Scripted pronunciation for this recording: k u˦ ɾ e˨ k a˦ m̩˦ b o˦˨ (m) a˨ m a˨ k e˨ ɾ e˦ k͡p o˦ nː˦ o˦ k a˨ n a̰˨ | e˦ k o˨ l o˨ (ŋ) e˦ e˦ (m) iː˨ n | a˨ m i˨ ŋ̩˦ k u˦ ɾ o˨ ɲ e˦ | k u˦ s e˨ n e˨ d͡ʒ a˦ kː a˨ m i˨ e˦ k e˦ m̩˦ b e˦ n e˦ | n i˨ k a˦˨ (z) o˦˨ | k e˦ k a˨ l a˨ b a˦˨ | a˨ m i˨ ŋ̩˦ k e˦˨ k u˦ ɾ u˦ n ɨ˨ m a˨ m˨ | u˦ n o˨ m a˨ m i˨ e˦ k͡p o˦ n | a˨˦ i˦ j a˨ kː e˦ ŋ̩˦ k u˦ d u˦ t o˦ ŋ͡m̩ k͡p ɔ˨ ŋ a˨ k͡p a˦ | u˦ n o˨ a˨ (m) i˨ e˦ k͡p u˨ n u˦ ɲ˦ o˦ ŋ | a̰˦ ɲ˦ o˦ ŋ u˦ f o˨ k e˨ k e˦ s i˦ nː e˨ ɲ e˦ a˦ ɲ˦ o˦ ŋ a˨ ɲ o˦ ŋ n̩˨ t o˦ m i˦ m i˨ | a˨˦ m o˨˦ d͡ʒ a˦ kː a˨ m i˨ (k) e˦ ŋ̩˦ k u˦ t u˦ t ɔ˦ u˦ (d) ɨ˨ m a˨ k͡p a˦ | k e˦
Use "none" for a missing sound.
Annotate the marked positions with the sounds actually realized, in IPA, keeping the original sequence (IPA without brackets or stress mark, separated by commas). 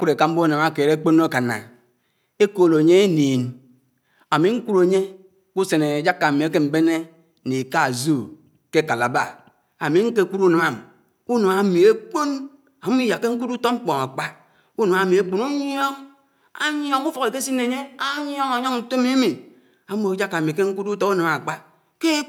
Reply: n, ɲ, n, z, m, k, n